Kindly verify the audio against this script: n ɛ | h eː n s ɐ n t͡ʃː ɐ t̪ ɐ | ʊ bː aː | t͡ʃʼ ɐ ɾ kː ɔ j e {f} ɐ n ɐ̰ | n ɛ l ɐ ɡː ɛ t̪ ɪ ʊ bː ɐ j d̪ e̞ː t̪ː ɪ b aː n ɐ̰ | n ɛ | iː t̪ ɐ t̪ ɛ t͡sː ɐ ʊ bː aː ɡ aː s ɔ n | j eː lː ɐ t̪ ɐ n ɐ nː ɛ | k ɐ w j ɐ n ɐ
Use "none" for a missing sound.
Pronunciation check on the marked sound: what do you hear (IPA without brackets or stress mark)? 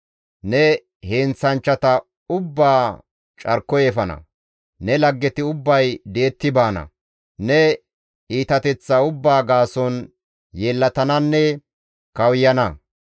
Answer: f